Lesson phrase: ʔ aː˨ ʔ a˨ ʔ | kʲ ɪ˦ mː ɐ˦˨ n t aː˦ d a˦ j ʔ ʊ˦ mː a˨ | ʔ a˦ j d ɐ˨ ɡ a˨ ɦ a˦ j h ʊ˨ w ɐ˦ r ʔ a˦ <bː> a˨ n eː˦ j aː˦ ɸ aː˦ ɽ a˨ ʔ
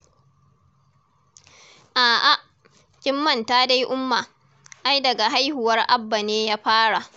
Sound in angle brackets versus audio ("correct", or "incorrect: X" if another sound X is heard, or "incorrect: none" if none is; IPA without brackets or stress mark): correct